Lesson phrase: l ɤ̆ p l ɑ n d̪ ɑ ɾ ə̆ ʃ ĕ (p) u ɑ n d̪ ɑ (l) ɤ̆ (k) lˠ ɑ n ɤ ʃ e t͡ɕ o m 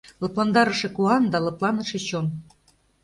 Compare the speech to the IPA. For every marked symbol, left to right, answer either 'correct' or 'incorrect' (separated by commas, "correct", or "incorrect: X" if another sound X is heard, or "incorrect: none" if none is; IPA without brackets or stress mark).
incorrect: k, correct, incorrect: p